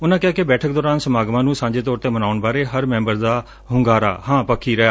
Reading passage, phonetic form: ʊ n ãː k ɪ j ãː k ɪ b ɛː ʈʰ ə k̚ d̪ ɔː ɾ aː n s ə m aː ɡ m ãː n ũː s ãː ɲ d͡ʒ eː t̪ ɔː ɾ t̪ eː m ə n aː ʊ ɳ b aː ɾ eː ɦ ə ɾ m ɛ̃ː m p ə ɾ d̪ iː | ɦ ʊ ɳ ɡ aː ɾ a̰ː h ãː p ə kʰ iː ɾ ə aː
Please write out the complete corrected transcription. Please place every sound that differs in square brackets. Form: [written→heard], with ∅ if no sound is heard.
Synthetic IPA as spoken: ʊ n ãː k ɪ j [ãː→aː] k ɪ b ɛː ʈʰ ə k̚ d̪ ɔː ɾ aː n s ə m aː ɡ m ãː n ũː s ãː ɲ d͡ʒ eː t̪ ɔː ɾ t̪ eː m ə n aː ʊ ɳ b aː ɾ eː ɦ ə ɾ m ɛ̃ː m [p→b] ə ɾ d̪ [iː→aː] | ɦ ʊ [ɳ→ŋ] ɡ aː ɾ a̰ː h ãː p ə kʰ iː ɾ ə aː